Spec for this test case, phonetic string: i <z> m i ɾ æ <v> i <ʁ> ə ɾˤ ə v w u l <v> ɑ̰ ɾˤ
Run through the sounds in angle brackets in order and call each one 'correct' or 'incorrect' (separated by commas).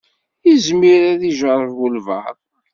correct, incorrect, incorrect, correct